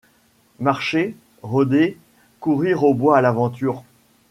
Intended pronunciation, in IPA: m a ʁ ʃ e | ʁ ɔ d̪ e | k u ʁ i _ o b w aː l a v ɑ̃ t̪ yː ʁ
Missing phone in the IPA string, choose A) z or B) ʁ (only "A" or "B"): B